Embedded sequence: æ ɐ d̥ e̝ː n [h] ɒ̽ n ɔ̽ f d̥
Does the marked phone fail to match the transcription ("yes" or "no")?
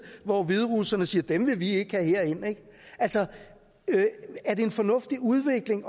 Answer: yes